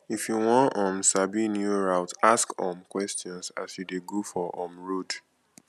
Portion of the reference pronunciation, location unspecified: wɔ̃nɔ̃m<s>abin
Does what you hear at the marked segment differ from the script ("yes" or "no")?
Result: no